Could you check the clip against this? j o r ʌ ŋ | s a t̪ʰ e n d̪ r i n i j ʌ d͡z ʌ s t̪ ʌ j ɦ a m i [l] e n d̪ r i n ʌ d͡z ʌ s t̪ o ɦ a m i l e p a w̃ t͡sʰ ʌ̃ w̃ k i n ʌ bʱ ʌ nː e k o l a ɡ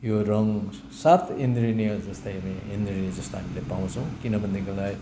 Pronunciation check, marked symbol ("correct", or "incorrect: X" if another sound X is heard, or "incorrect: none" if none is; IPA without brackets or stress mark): incorrect: none